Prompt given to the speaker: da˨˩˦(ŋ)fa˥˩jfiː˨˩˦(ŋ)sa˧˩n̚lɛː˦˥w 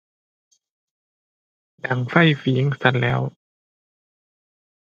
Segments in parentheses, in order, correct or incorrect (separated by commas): correct, correct